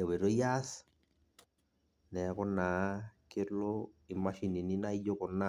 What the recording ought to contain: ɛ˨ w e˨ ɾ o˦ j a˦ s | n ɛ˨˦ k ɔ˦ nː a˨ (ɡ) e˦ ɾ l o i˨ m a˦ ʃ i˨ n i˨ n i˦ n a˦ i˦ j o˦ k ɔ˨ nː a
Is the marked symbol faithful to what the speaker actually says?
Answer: no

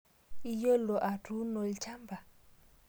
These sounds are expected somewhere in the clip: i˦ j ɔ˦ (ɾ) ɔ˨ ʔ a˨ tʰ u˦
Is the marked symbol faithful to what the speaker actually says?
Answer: no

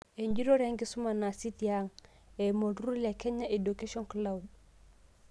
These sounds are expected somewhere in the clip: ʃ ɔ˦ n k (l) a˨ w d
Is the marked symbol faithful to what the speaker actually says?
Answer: yes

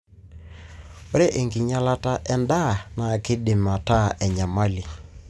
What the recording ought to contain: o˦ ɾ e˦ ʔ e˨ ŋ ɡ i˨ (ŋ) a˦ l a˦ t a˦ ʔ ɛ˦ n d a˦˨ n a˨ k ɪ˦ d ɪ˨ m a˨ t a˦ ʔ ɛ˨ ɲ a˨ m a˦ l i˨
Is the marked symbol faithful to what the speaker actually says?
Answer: no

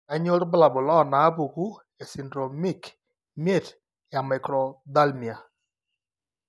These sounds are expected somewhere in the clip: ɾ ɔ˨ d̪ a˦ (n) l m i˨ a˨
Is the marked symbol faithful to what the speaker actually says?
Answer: no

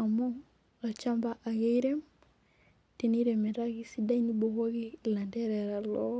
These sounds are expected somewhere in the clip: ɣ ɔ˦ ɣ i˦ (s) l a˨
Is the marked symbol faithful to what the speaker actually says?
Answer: no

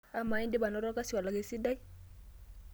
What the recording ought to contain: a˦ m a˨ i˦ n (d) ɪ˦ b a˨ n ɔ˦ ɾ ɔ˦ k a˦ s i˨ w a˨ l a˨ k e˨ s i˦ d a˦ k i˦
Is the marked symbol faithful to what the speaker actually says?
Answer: yes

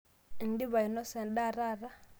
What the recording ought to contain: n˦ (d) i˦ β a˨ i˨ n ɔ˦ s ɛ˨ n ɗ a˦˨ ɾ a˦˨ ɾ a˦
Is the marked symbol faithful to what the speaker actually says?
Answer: yes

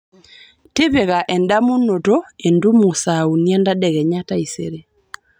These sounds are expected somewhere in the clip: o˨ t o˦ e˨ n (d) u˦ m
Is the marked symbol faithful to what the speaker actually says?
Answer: yes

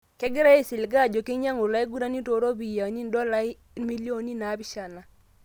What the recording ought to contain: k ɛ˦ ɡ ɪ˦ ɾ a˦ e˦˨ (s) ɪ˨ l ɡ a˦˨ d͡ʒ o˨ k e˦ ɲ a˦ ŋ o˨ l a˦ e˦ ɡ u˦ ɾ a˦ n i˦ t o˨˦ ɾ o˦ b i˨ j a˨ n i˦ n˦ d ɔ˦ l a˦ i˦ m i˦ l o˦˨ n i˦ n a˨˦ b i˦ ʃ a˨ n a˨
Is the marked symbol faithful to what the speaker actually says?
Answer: yes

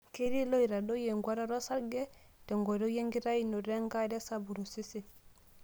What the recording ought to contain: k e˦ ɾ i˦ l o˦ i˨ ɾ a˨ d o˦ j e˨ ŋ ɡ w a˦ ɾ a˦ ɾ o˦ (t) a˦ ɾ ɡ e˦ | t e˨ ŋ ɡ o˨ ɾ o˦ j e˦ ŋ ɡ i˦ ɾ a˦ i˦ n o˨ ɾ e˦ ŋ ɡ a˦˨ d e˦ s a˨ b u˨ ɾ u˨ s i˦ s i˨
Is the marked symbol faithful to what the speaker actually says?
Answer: no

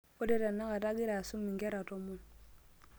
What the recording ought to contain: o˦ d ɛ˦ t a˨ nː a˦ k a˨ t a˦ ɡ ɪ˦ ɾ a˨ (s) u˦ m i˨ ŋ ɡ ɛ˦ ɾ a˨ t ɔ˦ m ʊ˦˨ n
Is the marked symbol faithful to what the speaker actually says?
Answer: yes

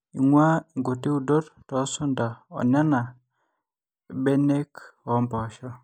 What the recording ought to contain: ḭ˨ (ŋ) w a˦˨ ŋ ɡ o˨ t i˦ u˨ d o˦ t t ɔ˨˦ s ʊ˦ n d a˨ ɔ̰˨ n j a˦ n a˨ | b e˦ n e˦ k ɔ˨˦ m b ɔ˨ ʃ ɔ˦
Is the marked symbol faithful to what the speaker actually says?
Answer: yes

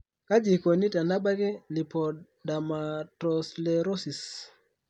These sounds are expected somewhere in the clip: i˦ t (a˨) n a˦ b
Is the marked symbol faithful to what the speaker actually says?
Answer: yes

